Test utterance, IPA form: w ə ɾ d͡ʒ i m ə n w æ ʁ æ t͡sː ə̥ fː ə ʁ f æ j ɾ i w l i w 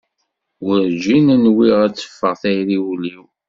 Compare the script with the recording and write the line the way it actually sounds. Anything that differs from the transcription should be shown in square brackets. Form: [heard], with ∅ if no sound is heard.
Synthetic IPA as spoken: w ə ɾ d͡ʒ i [n] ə n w [i] ʁ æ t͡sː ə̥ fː ə ʁ [θ] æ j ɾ i w l i w